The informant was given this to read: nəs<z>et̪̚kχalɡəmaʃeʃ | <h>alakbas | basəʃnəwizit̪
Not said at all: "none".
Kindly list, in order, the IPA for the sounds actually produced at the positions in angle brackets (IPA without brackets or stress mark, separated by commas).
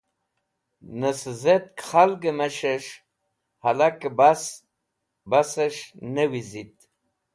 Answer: z, h